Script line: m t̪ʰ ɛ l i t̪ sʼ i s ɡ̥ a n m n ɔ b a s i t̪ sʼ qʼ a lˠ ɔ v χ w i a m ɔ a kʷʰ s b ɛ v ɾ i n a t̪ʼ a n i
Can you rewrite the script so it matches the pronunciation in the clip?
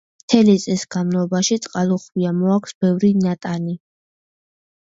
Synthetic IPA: m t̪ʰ ɛ l i t̪ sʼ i s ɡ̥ a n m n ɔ b a ʃ i t̪ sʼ qʼ a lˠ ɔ χ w i a m ɔ a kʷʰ s b ɛ v ɾ i n a t̪ʼ a n i

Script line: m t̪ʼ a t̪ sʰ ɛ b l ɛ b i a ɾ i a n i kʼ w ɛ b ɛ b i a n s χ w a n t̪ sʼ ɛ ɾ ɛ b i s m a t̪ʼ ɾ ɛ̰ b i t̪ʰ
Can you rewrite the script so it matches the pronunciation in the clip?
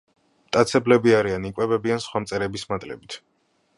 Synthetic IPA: m t̪ʼ a t̪ sʰ ɛ b l ɛ b i a ɾ i a n i kʼ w ɛ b ɛ b i a n s χ w a m t̪ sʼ ɛ ɾ ɛ b i s m a t̪ʼ l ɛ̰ b i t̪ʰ

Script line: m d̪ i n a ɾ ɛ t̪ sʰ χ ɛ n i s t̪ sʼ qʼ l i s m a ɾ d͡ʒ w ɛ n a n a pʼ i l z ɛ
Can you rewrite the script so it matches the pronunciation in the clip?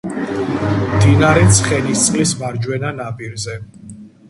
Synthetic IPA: m d̪ i n a ɾ ɛ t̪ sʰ χ ɛ n i s t̪ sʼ qʼ l i s m a ɾ d͡ʒ w ɛ n a n a pʼ i ɾ z ɛ

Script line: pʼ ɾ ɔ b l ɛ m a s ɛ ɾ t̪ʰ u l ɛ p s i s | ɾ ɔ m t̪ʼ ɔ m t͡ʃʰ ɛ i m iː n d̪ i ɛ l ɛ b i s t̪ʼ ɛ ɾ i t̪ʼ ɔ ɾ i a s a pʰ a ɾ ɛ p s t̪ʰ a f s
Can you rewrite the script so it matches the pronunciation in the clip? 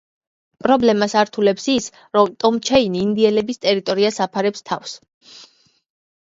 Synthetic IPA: pʼ ɾ ɔ b l ɛ m a s a ɾ t̪ʰ u l ɛ p s i s | ɾ ɔ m t̪ʼ ɔ m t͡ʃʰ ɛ i n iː n d̪ i ɛ l ɛ b i s t̪ʼ ɛ ɾ i t̪ʼ ɔ ɾ i a s a pʰ a ɾ ɛ p s t̪ʰ a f s

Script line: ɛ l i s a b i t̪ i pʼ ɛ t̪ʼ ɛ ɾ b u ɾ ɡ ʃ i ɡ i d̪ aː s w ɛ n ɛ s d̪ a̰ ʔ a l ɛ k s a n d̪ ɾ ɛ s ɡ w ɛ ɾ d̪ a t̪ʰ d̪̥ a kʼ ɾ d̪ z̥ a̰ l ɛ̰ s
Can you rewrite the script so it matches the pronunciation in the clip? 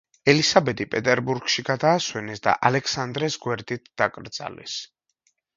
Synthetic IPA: ɛ l i s a b ɛ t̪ i pʼ ɛ t̪ʼ ɛ ɾ b u ɾ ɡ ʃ i ɡ a d̪ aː s w ɛ n ɛ s d̪ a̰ ʔ a l ɛ k s a n d̪ ɾ ɛ s ɡ w ɛ ɾ d̪ i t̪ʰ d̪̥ a kʼ ɾ d̪ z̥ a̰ l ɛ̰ s

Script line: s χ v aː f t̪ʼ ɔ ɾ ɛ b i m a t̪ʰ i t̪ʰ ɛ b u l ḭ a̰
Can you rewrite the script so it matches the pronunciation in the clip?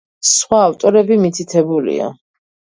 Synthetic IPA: s χ w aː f t̪ʼ ɔ ɾ ɛ b i m i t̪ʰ i t̪ʰ ɛ b u l ḭ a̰

